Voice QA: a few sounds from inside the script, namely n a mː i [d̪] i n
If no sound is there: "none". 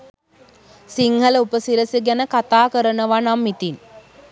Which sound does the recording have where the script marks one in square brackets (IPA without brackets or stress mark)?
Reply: t̪